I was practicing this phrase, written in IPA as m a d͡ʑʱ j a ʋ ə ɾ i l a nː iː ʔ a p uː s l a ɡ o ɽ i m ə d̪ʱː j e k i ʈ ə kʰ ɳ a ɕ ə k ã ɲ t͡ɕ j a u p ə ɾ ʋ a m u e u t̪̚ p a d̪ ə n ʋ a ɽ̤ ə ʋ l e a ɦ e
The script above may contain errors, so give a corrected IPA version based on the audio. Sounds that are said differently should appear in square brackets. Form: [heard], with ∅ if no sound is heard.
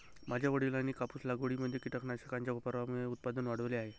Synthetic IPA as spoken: m a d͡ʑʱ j a ʋ ə [ɽ] i l a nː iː [k] a p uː s l a ɡ o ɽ i m ə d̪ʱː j e k i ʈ ə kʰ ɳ a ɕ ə k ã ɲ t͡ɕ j a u p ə ɾ ʋ a m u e u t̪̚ p a d̪ ə n ʋ a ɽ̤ ə ʋ l e a ɦ e